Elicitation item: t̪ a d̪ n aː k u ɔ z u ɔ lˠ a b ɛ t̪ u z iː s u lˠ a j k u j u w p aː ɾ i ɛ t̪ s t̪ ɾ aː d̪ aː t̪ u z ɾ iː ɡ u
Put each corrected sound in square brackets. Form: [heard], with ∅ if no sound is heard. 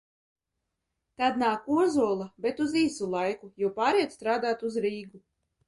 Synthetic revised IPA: t̪ a d̪ n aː k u ɔ z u ɔ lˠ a b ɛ t̪ u z iː s u lˠ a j k u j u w p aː ɾ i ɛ t̪ s t̪ ɾ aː d̪ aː t̪ u z ɾ iː ɡ u